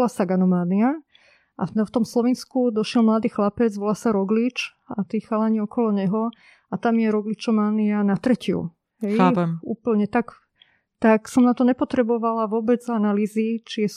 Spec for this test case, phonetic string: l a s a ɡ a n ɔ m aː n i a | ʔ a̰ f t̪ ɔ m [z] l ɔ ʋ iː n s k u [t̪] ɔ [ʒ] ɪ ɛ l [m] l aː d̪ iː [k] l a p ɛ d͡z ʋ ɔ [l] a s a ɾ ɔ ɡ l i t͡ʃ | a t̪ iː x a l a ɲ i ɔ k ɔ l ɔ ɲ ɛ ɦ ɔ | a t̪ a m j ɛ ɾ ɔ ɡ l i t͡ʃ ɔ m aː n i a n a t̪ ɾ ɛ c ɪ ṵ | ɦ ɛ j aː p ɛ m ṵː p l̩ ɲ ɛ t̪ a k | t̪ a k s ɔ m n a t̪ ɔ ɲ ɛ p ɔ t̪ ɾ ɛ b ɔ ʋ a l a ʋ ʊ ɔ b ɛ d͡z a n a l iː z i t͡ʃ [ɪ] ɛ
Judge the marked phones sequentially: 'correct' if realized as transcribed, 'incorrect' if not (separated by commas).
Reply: incorrect, incorrect, incorrect, correct, incorrect, correct, incorrect